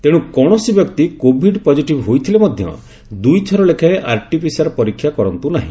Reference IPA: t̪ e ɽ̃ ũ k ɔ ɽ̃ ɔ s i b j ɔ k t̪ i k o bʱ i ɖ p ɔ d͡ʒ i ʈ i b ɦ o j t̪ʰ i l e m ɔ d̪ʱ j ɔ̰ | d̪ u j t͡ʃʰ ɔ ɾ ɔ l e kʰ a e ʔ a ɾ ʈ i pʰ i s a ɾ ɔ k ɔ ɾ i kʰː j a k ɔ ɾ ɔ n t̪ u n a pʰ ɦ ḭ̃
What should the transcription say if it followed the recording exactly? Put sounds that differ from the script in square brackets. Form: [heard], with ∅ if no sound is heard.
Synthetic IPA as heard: t̪ e ɽ̃ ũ k ɔ ɽ̃ ɔ s i b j ɔ k t̪ i k o bʱ i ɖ p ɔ d͡ʒ i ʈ i b ɦ o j t̪ʰ i l e m ɔ d̪ʱ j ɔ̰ | d̪ u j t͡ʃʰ ɔ ɾ ɔ l e kʰ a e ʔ a ɾ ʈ i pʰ i s a ɾ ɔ [p] ɔ ɾ i kʰː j a k ɔ ɾ ɔ n t̪ u n a [∅] ɦ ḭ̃